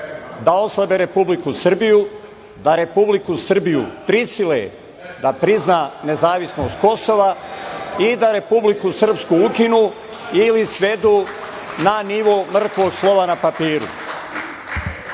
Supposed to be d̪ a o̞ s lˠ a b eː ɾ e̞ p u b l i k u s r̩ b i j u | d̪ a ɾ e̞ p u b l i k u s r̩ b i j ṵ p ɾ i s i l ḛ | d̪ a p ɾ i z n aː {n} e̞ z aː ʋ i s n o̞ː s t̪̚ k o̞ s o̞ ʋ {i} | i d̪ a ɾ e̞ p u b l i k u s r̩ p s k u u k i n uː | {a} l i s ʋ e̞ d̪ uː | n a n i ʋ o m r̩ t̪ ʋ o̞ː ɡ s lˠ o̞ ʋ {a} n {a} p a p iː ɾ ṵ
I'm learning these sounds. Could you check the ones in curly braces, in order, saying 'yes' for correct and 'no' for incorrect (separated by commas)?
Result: yes, no, no, yes, yes